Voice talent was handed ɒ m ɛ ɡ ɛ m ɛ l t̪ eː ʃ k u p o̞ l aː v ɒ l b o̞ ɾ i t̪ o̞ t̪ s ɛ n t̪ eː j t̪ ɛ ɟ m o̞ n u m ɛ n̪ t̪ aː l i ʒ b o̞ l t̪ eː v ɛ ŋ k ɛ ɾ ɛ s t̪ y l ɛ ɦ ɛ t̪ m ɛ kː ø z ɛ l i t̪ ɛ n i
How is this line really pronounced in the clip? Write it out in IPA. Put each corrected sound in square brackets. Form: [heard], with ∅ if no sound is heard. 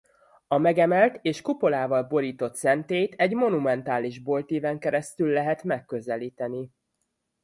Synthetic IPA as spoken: ɒ m ɛ ɡ ɛ m ɛ l t̪ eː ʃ k u p o̞ l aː v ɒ l b o̞ ɾ [iː] t̪ o̞ t̪ s ɛ n t̪ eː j t̪ ɛ ɟ m o̞ n u m ɛ n̪ t̪ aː l i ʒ b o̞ l t̪ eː v ɛ ŋ k ɛ ɾ ɛ s t̪ y [lː] ɛ ɦ ɛ t̪ m ɛ kː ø z ɛ l [iː] t̪ ɛ n i